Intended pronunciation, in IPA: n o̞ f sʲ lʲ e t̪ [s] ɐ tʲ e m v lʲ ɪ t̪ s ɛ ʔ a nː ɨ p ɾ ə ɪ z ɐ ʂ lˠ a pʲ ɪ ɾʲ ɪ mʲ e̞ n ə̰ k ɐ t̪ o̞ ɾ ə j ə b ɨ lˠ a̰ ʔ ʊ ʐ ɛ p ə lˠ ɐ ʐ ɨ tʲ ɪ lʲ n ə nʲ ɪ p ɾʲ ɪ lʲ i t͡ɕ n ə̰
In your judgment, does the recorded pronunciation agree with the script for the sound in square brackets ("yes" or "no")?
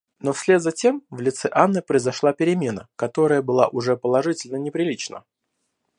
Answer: no